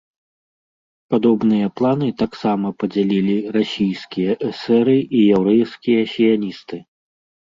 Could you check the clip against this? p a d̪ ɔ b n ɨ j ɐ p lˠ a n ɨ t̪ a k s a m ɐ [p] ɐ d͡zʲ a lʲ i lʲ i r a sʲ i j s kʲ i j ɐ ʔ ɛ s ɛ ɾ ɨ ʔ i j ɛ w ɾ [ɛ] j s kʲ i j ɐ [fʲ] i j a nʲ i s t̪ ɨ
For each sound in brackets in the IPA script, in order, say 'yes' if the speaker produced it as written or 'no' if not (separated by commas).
yes, yes, no